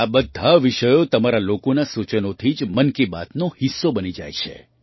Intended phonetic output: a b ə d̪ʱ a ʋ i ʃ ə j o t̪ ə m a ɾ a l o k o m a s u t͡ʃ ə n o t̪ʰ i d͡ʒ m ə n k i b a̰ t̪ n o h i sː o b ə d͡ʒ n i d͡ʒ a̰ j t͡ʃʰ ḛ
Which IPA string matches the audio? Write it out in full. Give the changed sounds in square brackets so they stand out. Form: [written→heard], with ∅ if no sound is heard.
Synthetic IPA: a b ə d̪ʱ a ʋ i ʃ ə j o t̪ ə m a ɾ a l o k o [m→n] a s u t͡ʃ ə n o t̪ʰ i d͡ʒ m ə n k i b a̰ t̪ n o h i sː o b ə [d͡ʒ→∅] n i d͡ʒ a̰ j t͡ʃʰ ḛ